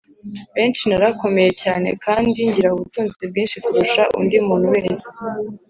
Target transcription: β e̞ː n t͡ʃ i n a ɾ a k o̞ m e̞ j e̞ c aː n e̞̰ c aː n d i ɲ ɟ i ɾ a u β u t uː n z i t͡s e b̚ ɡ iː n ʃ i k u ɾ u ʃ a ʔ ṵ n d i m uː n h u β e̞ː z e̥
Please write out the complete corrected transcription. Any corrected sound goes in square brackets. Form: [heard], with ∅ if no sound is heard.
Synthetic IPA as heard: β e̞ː n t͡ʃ i n a ɾ a k o̞ m e̞ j e̞ c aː n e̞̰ [k] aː n d i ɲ ɟ i ɾ a u β u t uː n z i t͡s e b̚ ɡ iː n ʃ i k u ɾ u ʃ a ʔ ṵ n d i m uː n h u [w] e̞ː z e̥

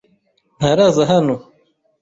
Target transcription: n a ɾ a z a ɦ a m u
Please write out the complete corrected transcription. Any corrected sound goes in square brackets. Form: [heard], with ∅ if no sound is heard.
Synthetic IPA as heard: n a ɾ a z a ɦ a [n] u

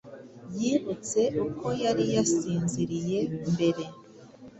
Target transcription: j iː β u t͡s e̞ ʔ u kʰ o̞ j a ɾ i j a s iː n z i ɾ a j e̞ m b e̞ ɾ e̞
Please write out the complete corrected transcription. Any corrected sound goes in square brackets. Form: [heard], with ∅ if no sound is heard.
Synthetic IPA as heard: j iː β u t͡s e̞ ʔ u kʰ o̞ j a ɾ i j a s iː n z i ɾ [i] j e̞ m b e̞ ɾ e̞

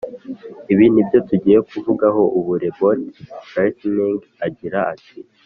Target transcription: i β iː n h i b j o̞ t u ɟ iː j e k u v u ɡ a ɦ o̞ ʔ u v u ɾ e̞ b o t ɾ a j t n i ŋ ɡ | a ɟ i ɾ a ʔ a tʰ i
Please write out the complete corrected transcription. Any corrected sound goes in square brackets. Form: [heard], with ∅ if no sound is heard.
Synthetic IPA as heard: i β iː n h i b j o̞ t u ɟ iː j e k u v u ɡ a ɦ o̞ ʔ u [β] u ɾ e̞ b o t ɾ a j t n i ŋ ɡ | a ɟ i ɾ a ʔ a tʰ i

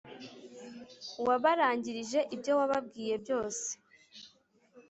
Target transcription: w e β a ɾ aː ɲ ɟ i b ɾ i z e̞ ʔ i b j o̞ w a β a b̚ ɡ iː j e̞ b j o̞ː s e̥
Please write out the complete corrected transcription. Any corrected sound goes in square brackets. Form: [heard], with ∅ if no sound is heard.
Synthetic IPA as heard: w [a] β a ɾ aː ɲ ɟ i [∅] ɾ i [ʒ] e̞ ʔ i b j o̞ w a β a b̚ ɡ iː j e̞ b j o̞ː s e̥

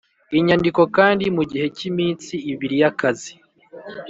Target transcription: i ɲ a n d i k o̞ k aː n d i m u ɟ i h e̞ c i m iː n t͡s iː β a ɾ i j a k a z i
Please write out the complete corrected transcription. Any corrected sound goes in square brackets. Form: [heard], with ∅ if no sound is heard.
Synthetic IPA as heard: i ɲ a n d i k o̞ k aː n d i m u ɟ i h e̞ c i m iː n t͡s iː β [i] ɾ i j a k a z i

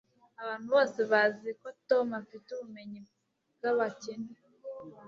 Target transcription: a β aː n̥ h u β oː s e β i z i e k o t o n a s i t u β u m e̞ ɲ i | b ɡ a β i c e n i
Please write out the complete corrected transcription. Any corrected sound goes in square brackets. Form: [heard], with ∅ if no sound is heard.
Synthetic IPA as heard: a β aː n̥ h u β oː s e β [a] z i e k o t o [m] a [f] i t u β u m e̞ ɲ i | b ɡ a β [a] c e n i

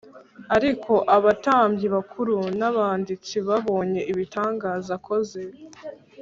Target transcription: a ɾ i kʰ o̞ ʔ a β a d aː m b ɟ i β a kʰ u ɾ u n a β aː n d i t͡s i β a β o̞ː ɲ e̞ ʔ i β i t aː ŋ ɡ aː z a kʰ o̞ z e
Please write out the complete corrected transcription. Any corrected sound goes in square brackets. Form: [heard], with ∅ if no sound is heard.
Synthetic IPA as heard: a ɾ i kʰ o̞ ʔ a β a [t] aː m b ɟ i β a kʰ u ɾ u n a β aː n d i t͡s i β a β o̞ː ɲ e̞ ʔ i β i t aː ŋ ɡ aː z a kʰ o̞ z e

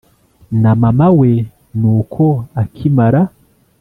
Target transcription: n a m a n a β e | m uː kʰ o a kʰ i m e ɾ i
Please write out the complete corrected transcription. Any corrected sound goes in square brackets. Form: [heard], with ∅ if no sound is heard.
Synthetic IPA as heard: n a m a [m] a [w] e | [n] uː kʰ o a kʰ i m [a] ɾ [a]

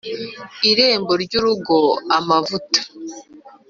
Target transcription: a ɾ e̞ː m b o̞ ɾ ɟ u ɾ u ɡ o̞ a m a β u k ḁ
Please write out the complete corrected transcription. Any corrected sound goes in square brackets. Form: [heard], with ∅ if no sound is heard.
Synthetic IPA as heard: [i] ɾ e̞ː m b o̞ ɾ ɟ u ɾ u ɡ o̞ a m a [v] u [t] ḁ

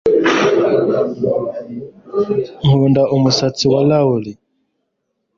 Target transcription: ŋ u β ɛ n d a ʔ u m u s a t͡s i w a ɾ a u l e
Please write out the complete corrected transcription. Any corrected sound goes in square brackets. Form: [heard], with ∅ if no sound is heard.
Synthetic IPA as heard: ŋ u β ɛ n d a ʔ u m u s a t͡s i w a [l] a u l [i]

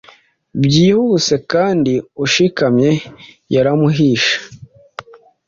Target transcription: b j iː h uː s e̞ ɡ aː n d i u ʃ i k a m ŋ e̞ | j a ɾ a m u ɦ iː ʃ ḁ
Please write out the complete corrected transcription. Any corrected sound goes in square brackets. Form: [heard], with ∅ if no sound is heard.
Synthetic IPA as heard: b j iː h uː s e̞ [k] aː n d i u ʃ i k a m [ɲ] e̞ | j a ɾ a m u ɦ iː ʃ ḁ

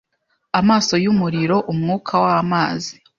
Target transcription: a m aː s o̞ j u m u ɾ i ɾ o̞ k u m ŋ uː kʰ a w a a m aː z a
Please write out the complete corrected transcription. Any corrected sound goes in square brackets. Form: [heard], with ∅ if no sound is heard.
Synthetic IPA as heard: a m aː s o̞ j u m u ɾ i ɾ o̞ [ʔ] u m ŋ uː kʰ a w a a m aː z [i]

